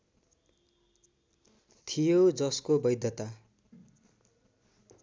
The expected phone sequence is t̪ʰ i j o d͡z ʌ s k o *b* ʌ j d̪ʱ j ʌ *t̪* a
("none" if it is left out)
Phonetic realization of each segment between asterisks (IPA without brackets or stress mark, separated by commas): b, t̪